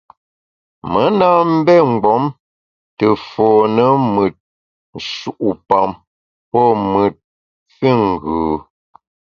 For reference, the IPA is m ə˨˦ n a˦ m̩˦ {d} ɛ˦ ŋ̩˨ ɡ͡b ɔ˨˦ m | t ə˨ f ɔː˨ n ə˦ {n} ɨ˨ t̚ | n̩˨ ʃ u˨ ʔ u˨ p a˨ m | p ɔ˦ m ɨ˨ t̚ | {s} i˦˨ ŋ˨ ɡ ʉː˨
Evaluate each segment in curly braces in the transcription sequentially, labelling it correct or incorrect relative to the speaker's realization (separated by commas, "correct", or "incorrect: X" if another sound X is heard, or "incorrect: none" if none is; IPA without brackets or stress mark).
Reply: incorrect: b, incorrect: m, incorrect: f